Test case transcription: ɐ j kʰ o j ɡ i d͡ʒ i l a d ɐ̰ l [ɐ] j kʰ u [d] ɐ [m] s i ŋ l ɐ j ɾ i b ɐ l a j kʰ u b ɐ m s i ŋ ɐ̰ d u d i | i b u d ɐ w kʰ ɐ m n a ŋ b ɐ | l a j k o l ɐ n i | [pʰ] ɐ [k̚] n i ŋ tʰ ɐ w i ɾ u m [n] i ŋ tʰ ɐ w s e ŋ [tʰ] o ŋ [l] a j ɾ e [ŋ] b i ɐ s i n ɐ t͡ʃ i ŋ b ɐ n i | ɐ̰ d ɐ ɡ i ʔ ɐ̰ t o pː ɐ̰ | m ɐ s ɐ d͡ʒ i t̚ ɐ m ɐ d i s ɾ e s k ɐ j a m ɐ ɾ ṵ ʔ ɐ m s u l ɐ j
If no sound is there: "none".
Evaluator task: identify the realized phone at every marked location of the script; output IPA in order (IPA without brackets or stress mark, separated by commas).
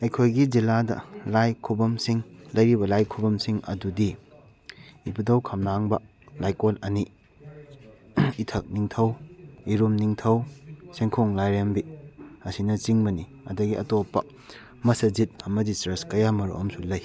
a, b, m, tʰ, k̚, n, kʰ, l, m